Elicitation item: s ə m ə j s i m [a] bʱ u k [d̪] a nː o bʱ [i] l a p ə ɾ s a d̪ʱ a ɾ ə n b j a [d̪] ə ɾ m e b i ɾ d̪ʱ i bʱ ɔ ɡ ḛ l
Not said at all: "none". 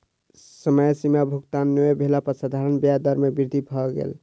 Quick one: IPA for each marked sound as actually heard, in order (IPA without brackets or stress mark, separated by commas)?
a, t̪, e, d̪